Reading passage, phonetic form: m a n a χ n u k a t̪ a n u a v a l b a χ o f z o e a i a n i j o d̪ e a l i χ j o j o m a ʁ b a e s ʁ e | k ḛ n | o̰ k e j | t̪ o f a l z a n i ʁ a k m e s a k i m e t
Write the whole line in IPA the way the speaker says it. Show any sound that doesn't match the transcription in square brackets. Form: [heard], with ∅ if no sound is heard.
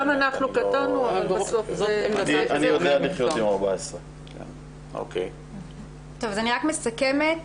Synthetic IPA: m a n a χ n u k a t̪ a n u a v a l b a [s] o f z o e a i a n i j o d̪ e a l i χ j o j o m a ʁ b a e s ʁ e | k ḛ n | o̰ k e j | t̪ o [v] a [∅] z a n i ʁ a k m e s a k [e] m e t